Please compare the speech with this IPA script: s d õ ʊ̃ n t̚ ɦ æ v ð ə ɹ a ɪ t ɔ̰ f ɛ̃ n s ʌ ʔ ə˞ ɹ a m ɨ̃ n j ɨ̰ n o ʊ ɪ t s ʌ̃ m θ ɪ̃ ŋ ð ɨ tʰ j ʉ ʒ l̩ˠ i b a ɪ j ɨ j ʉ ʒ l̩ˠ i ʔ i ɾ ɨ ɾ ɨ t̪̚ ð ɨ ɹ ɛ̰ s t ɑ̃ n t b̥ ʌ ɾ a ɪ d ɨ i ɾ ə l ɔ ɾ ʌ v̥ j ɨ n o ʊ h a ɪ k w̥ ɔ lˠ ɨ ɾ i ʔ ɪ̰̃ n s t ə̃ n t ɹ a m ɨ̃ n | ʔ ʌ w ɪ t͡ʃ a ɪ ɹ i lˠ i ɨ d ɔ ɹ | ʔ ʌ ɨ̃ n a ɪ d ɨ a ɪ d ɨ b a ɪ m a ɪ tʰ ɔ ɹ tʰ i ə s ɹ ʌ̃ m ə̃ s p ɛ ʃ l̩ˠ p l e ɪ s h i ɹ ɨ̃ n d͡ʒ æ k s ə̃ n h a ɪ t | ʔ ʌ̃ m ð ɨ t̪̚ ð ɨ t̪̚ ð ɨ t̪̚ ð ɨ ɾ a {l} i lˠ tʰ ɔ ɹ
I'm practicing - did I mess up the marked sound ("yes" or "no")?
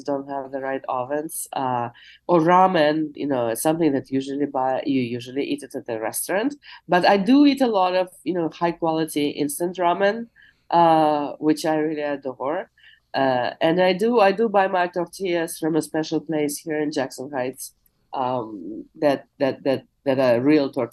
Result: yes